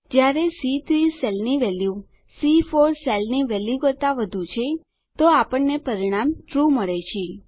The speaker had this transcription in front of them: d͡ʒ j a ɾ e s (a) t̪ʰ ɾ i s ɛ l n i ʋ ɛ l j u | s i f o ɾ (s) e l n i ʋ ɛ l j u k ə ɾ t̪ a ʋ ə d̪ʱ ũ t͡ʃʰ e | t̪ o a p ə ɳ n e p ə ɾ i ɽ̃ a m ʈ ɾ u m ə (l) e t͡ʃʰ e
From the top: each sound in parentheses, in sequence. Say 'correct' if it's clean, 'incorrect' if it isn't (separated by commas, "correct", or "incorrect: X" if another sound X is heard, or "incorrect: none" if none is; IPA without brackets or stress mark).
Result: incorrect: i, correct, incorrect: ɭ